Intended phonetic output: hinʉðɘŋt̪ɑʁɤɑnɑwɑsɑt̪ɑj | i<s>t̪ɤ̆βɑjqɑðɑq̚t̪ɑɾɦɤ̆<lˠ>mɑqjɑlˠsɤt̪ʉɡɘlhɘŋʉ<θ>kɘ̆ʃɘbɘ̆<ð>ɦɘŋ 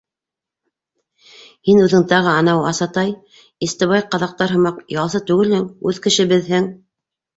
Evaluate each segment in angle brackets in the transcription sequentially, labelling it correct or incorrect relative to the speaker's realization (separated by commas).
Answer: correct, incorrect, incorrect, correct